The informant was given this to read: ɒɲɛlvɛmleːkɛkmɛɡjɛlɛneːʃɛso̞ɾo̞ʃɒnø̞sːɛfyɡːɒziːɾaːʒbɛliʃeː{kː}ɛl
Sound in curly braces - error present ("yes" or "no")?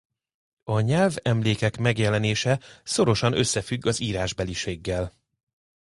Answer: yes